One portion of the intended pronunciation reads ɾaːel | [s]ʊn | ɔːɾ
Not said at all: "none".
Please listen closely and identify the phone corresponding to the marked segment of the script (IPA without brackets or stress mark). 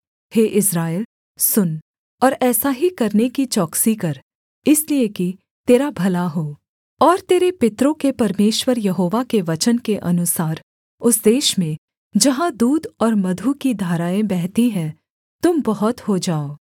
s